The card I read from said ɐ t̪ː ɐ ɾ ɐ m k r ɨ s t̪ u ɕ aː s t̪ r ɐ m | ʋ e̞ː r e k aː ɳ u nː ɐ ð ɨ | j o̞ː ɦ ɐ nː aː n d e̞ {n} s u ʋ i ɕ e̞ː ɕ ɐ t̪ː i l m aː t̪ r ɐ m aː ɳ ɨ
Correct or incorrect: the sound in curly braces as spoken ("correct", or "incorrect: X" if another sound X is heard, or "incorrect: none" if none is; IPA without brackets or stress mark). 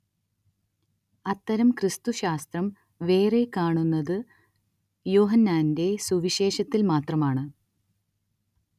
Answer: incorrect: none